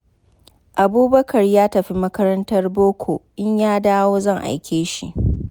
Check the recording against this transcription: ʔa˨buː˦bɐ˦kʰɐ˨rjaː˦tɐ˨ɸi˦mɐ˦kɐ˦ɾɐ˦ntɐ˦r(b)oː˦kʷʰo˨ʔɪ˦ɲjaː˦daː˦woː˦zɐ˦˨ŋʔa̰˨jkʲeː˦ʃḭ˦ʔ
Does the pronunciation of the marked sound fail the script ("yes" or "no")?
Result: no